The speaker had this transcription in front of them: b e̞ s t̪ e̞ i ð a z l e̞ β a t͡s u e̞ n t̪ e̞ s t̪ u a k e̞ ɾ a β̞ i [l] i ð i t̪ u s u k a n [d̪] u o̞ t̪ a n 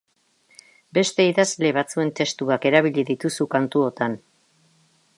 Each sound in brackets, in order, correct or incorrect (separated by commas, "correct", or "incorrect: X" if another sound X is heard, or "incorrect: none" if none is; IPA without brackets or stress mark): incorrect: ʎ, incorrect: t̪